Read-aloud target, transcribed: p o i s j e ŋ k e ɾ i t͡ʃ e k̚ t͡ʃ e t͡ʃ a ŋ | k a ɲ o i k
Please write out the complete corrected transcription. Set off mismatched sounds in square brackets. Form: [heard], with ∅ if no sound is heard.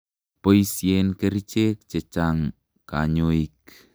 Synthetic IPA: p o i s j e [n] k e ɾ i t͡ʃ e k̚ t͡ʃ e t͡ʃ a ŋ | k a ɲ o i k